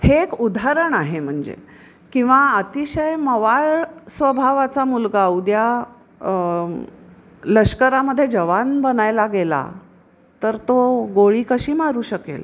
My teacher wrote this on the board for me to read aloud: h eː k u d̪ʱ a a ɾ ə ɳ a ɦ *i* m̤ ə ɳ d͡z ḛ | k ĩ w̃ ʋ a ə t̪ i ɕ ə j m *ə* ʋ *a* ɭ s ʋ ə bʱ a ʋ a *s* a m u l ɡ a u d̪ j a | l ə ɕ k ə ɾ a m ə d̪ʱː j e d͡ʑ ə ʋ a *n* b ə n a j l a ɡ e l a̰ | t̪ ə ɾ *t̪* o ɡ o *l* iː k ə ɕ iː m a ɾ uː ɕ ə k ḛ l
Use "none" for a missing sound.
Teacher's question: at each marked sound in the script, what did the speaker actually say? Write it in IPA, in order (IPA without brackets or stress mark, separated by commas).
e, ə, a, t͡s, n, t̪, ɭ